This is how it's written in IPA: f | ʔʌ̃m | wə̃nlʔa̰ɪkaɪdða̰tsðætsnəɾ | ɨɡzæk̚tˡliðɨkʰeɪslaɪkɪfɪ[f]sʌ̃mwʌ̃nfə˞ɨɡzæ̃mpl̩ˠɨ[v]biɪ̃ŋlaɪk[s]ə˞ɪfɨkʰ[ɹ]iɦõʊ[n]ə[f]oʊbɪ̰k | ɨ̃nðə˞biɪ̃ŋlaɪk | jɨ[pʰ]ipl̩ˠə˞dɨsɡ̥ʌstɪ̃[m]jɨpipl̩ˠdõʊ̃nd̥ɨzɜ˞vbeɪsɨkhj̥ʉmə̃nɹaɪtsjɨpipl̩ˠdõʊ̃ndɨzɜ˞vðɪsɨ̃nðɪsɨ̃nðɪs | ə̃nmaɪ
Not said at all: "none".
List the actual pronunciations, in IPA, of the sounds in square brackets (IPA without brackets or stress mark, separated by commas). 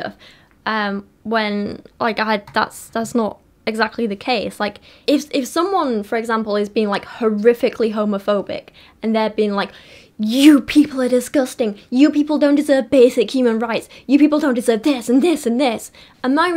f, z, h, l, m, f, pʰ, ŋ